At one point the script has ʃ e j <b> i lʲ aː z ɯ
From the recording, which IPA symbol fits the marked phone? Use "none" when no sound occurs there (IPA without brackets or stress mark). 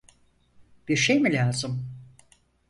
m